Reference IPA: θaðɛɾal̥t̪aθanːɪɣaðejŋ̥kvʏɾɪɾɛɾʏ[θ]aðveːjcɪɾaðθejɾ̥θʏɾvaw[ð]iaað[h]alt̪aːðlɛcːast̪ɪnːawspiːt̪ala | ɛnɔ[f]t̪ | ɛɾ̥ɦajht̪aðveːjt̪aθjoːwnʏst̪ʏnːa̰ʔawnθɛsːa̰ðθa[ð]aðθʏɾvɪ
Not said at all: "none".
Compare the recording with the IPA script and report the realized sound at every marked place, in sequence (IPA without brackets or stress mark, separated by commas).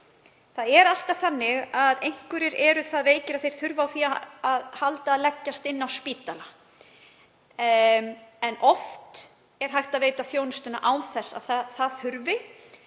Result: θ, θ, h, f, θ